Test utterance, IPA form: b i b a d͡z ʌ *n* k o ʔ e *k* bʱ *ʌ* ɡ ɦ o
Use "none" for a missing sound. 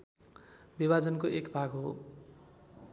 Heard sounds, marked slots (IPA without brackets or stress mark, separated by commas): n, k, a